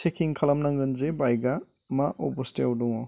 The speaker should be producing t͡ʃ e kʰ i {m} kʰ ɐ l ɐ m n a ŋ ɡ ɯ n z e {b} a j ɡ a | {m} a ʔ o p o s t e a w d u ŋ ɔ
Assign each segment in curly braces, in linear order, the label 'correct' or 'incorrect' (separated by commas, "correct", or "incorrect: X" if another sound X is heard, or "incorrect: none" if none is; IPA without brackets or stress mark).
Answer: incorrect: ŋ, correct, correct